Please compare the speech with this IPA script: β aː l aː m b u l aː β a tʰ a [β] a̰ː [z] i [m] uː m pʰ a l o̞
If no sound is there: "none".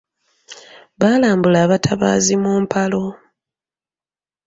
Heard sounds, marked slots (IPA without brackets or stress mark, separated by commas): β, z, m